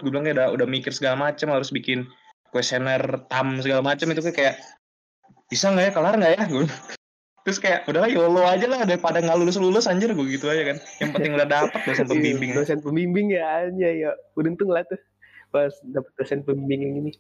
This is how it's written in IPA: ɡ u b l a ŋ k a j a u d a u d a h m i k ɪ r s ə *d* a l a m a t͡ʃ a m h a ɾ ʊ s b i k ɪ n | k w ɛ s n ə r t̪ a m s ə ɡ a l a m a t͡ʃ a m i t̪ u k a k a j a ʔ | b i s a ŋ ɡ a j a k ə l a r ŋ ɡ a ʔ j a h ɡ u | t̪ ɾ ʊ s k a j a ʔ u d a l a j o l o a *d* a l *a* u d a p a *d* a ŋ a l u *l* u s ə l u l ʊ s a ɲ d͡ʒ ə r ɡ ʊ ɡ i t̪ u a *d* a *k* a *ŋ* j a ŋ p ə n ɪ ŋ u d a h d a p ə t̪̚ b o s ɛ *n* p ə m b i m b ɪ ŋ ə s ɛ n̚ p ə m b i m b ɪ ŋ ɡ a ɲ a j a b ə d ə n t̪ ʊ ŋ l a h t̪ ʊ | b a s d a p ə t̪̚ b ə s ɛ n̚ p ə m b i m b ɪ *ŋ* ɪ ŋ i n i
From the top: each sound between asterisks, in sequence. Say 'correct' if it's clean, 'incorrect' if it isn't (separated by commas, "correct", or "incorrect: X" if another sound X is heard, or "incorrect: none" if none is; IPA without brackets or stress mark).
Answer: incorrect: ɡ, incorrect: d͡ʒ, correct, correct, correct, incorrect: d͡ʒ, correct, incorrect: n, correct, correct